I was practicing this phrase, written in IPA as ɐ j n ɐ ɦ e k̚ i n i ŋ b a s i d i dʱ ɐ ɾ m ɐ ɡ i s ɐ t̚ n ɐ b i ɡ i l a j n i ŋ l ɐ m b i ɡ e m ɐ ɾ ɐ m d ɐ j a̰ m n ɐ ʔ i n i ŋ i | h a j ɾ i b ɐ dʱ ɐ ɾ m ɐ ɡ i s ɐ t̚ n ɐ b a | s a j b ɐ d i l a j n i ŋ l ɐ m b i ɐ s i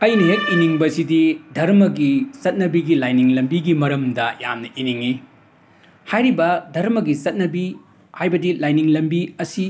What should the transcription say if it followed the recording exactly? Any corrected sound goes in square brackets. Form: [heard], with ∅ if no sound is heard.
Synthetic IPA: ɐ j n ɐ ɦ e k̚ i n i ŋ b [ɐ] s i d i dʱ ɐ ɾ m ɐ ɡ i s ɐ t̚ n ɐ b i ɡ i l a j n i ŋ l ɐ m b i ɡ [i] m ɐ ɾ ɐ m d ɐ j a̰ m n ɐ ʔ i n i ŋ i | h a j ɾ i b ɐ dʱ ɐ ɾ m ɐ ɡ i s ɐ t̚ n ɐ b [i] | [h] a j b ɐ d i l a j n i ŋ l ɐ m b i ɐ s i